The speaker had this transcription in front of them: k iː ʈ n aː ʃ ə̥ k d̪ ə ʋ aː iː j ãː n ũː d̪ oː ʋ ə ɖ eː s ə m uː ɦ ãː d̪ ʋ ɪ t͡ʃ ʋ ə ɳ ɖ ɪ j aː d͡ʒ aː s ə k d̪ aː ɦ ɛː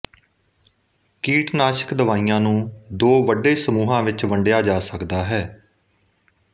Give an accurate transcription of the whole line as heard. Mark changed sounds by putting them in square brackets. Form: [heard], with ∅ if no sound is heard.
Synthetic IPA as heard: k iː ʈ n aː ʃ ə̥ k d̪ ə ʋ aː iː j ãː n ũː d̪ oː ʋ ə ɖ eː s ə m uː ɦ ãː [∅] ʋ ɪ t͡ʃ ʋ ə ɳ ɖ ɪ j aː d͡ʒ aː s ə k d̪ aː ɦ ɛː